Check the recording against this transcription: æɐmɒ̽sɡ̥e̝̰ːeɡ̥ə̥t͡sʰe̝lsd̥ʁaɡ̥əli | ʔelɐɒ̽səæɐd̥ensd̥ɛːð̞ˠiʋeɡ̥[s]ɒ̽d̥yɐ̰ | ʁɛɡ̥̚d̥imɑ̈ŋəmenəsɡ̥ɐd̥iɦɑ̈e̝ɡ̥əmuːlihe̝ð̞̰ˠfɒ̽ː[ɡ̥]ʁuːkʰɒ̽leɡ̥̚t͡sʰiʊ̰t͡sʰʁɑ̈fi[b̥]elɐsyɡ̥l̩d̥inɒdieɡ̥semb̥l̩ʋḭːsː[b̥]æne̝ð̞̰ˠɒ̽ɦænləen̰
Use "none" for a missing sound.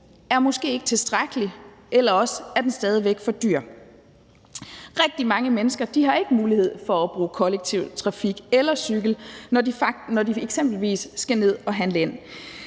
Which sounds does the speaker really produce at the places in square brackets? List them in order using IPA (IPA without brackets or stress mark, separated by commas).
f, b̥, ɡ̥, ɡ̥